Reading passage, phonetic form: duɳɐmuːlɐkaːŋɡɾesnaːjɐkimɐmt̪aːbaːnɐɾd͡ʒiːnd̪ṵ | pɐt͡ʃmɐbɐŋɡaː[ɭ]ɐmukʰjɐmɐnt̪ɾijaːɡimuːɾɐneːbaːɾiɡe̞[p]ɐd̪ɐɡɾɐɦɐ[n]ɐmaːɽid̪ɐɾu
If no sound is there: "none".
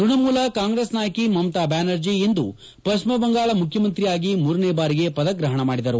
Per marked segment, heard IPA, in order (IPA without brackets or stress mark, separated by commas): ɭ, p, ɳ